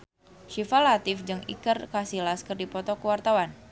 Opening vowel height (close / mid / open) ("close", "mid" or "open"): close